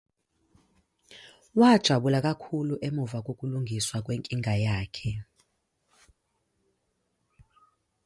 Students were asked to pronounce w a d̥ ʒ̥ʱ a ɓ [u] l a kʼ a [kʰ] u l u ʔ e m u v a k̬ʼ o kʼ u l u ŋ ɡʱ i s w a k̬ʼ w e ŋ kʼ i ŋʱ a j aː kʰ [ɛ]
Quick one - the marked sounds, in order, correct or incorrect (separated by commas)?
correct, correct, correct